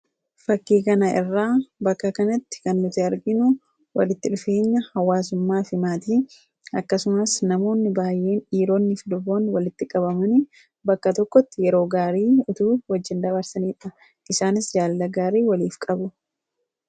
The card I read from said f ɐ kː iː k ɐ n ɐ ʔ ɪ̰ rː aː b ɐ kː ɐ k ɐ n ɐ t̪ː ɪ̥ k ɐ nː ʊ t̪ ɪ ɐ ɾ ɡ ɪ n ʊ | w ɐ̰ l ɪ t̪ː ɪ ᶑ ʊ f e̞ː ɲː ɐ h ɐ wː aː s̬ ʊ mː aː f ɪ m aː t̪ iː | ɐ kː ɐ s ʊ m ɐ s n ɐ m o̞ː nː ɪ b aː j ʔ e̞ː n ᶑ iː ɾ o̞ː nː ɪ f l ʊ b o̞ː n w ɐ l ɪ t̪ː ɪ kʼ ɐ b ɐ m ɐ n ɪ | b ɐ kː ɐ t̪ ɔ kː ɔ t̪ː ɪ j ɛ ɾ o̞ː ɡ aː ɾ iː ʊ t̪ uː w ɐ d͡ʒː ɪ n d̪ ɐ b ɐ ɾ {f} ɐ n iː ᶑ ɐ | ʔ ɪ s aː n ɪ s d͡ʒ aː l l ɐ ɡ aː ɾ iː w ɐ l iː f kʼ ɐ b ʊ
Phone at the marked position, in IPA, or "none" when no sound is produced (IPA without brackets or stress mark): s